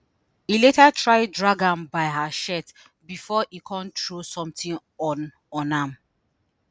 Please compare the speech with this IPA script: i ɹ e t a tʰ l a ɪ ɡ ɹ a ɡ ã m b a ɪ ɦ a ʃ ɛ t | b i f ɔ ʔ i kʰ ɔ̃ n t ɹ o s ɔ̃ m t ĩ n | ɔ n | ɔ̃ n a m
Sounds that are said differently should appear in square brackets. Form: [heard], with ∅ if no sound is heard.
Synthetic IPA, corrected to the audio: i [l] e t a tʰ [ɹ] a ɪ [d] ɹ a ɡ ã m b a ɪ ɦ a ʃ ɛ t | b i f ɔ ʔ i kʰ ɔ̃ n t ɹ o s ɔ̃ m t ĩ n | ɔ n | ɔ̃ n a m